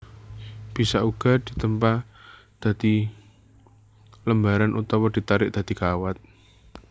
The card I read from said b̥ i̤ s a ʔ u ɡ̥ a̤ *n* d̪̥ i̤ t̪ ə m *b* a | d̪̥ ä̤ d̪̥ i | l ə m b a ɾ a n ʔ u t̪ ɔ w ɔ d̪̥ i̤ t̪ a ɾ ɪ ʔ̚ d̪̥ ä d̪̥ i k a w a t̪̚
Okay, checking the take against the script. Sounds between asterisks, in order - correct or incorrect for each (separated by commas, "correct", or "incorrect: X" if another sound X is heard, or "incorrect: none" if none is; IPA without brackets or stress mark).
incorrect: none, incorrect: p